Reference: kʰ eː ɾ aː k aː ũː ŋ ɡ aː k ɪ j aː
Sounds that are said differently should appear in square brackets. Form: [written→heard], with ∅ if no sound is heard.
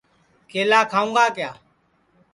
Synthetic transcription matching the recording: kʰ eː [ɾ→l] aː [k→kʰ] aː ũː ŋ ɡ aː k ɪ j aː